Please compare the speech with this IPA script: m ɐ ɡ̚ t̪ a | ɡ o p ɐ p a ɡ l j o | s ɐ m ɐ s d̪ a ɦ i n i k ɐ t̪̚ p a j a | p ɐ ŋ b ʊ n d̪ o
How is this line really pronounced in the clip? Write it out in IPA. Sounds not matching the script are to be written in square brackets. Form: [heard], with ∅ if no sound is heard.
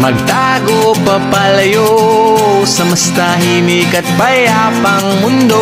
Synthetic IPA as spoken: m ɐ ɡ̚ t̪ a | ɡ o p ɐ p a [∅] l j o | s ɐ m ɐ s [t̪] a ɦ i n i k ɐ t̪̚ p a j a | p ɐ ŋ [m] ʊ n d̪ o